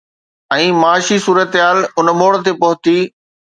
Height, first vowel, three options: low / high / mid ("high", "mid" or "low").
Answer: mid